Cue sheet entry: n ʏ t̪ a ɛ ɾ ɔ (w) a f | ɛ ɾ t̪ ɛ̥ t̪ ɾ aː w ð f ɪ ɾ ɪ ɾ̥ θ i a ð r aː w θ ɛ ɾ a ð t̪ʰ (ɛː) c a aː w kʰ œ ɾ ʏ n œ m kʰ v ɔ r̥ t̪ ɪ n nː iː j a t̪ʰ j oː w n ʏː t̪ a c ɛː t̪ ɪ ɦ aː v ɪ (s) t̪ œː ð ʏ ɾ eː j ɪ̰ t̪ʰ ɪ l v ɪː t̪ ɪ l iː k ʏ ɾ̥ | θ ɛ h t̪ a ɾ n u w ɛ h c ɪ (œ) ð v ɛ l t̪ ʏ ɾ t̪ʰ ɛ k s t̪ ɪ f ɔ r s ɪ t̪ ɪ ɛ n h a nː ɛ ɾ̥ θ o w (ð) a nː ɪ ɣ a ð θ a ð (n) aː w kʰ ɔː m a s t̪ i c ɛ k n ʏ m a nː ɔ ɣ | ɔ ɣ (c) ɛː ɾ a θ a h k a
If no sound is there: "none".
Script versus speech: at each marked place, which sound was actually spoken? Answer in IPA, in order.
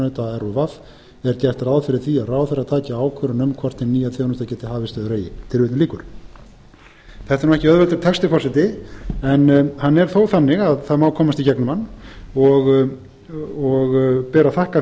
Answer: v, aː, s, œ, θ, m, p

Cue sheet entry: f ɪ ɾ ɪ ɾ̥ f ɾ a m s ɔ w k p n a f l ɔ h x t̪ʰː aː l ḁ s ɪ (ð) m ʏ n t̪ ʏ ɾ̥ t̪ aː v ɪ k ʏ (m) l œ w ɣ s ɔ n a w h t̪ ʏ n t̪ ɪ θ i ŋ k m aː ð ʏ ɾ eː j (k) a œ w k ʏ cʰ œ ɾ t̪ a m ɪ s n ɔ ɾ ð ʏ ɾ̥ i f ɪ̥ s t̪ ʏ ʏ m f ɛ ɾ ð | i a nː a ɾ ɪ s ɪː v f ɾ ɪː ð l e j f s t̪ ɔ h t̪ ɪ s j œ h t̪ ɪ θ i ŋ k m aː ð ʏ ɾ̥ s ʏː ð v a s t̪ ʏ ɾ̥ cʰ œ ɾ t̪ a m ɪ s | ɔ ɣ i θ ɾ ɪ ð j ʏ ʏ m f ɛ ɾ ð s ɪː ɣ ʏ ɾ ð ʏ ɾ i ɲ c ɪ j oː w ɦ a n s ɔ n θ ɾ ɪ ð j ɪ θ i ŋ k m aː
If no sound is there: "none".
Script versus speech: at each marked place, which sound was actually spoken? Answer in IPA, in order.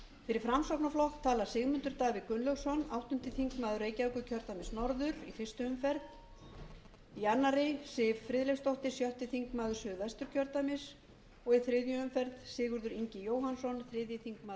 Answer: ɣ, n, c

